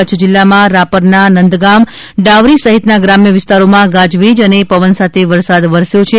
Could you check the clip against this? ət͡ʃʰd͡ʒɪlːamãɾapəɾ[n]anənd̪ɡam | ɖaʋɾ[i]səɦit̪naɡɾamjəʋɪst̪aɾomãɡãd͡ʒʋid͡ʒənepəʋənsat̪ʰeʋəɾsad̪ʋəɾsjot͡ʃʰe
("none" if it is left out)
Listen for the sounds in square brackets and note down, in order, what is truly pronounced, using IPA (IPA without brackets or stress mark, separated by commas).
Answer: n, i